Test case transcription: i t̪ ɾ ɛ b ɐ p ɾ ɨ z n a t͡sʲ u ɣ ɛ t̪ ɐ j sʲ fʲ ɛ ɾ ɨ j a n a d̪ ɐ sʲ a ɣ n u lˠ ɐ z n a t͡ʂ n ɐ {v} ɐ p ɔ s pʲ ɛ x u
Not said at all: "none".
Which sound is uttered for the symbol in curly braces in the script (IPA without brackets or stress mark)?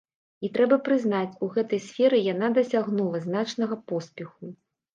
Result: ɣ